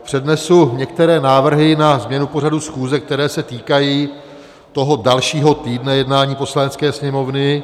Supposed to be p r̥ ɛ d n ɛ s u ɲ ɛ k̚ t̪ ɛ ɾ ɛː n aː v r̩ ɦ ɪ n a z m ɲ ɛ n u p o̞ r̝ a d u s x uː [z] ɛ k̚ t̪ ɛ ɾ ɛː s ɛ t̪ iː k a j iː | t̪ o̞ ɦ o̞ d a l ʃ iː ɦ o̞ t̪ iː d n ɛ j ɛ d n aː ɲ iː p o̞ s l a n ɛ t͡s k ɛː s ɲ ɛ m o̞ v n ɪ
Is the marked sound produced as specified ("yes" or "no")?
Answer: yes